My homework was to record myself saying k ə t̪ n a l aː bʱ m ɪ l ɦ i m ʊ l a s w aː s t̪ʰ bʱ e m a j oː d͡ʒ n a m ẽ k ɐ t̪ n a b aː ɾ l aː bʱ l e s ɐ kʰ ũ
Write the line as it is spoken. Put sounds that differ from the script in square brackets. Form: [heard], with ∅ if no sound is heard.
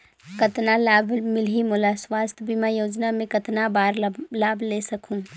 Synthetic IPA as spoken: k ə t̪ n a l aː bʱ m ɪ l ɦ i m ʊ l a s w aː s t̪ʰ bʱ [i] m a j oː d͡ʒ n a m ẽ k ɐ t̪ n a b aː ɾ l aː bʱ l e s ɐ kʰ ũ